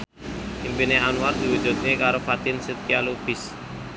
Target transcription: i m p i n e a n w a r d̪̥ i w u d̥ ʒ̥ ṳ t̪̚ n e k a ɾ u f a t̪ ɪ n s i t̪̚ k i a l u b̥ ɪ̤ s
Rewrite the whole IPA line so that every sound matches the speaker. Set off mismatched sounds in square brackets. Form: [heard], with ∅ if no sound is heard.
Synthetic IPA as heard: i m p i n e a n w a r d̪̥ i w u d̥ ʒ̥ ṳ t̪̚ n e k a ɾ [o] f a t̪ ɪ n s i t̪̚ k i a l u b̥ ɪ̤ s